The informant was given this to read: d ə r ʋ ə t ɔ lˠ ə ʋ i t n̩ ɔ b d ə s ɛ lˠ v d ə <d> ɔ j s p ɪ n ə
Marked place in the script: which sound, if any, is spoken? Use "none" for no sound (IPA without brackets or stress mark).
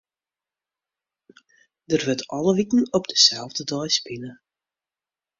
d